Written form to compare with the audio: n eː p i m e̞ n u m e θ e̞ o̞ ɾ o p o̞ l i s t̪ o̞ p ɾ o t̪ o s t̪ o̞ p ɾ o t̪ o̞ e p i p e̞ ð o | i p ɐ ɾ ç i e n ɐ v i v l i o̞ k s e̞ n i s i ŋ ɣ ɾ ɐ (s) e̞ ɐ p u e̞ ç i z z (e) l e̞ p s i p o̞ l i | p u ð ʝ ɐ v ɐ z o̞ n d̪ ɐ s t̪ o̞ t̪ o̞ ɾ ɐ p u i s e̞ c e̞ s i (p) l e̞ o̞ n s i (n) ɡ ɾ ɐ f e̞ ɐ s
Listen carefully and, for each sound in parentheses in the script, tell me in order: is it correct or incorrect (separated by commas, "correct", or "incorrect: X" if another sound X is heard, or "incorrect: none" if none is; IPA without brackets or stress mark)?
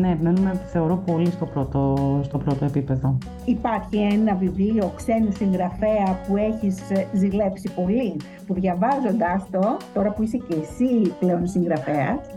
incorrect: f, incorrect: i, correct, incorrect: ŋ